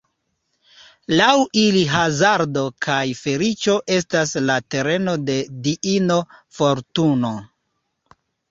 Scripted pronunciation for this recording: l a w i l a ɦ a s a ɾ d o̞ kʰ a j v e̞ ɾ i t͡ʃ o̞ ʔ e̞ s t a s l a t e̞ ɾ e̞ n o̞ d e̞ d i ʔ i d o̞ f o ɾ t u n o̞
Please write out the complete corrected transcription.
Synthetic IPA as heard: l a w i l i ɦ a z a ɾ d o̞ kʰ a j f e̞ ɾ i t͡ʃ o̞ ʔ e̞ s t a s l a t e̞ ɾ e̞ n o̞ d e̞ d i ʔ i n o̞ f o ɾ t u n o̞